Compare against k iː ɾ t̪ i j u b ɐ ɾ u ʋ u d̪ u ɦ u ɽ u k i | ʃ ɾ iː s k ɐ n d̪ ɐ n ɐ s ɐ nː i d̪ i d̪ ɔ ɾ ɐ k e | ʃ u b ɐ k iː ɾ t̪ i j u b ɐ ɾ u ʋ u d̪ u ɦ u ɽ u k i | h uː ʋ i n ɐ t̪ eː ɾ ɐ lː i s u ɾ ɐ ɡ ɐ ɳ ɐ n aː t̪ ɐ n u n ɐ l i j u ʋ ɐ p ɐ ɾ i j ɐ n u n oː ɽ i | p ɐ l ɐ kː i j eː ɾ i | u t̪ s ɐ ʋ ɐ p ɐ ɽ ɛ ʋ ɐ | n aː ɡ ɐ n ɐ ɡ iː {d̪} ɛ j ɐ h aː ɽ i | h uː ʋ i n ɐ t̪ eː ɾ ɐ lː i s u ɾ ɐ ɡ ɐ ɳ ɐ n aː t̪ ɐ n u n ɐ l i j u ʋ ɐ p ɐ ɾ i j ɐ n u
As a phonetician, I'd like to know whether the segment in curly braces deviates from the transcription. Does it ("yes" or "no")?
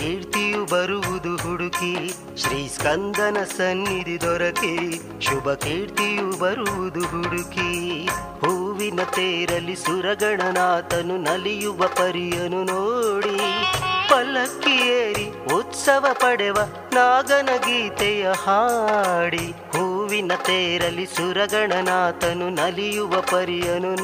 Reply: yes